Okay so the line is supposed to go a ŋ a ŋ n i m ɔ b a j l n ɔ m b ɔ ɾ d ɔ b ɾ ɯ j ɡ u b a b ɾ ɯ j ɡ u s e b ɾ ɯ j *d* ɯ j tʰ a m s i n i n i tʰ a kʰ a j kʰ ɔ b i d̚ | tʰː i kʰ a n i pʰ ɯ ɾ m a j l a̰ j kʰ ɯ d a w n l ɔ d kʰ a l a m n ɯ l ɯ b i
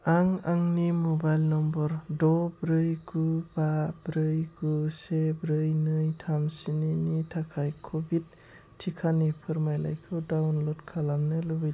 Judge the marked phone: incorrect: n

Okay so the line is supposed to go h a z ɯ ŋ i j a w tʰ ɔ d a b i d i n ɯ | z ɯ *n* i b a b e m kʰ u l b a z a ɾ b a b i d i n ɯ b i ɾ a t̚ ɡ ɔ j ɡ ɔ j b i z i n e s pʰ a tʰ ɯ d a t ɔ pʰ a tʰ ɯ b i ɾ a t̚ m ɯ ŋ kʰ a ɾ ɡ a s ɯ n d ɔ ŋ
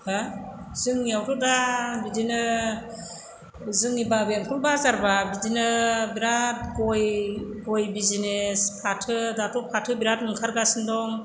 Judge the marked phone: incorrect: ŋ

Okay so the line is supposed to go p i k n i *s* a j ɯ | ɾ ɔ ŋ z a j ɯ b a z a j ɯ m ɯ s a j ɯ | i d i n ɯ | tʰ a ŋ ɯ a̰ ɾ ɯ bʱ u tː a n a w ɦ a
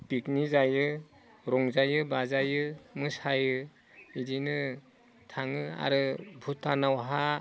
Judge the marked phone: incorrect: z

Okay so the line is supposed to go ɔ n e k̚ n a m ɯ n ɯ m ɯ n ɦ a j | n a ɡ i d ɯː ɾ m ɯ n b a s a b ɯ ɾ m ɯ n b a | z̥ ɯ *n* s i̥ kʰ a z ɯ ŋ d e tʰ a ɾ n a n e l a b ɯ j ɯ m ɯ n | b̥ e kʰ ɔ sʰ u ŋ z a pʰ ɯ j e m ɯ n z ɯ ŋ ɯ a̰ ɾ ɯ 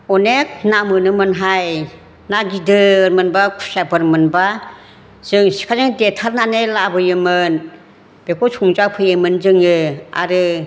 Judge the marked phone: incorrect: ŋ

